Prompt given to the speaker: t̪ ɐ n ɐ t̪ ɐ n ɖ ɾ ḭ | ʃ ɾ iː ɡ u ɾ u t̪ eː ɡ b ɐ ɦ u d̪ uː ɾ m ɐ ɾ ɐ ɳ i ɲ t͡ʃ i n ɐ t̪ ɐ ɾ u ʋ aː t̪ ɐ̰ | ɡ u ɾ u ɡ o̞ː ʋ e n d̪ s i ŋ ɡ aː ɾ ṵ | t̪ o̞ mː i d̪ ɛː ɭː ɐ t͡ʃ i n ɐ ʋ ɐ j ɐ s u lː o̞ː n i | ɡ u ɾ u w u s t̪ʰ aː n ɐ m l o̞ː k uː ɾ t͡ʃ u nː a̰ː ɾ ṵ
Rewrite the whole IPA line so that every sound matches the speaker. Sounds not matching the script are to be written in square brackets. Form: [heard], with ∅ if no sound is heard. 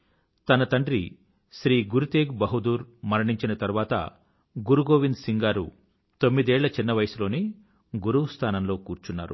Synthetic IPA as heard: t̪ ɐ n ɐ t̪ ɐ [ɳ] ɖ ɾ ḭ | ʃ ɾ iː ɡ u ɾ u t̪ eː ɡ b ɐ ɦ u d̪ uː ɾ m ɐ ɾ ɐ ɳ i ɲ t͡ʃ i n ɐ t̪ ɐ ɾ u ʋ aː t̪ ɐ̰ | ɡ u ɾ u ɡ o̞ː ʋ [i] n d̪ s i ŋ ɡ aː ɾ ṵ | t̪ o̞ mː i d̪ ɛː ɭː ɐ t͡ʃ i [nː] ɐ ʋ ɐ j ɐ s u [l] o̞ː n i | ɡ u ɾ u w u s t̪ʰ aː n ɐ m l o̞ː k uː ɾ t͡ʃ u nː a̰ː ɾ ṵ